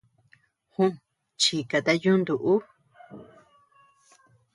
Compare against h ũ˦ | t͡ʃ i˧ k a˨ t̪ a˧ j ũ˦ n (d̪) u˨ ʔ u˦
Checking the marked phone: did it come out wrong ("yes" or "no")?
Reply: no